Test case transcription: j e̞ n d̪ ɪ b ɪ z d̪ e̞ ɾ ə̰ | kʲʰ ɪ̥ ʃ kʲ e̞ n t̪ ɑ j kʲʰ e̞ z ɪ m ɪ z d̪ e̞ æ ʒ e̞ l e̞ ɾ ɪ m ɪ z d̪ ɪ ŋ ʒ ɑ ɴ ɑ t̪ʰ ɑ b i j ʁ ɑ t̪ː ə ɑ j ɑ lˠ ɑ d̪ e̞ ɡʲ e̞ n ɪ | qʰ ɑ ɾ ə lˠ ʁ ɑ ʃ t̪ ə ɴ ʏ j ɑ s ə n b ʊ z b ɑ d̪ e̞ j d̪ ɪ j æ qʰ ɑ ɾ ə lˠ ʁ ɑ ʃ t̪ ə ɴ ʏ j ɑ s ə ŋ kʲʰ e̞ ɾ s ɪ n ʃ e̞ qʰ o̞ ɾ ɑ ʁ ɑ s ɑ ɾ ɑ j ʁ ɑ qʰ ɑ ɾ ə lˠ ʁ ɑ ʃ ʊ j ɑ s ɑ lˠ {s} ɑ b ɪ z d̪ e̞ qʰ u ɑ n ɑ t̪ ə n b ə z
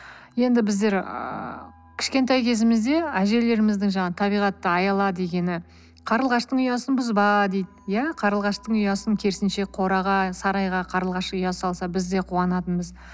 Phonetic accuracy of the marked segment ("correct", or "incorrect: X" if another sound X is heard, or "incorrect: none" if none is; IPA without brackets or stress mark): correct